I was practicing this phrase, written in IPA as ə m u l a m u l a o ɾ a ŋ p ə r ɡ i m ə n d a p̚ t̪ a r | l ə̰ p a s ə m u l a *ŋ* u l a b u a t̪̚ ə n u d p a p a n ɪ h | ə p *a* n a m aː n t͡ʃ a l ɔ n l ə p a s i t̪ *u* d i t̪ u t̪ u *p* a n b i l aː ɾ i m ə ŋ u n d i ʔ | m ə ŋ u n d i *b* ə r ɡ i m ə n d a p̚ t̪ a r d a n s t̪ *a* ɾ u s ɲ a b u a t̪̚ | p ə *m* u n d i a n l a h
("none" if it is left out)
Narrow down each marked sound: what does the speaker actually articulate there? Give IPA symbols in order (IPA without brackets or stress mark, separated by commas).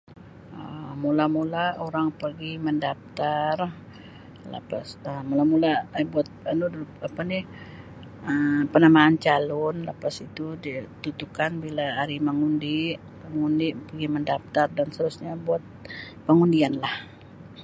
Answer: m, ə, u, k, p, ə, ŋ